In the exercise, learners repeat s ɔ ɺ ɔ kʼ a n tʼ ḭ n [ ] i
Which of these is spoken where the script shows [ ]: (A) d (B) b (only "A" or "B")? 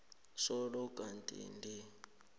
A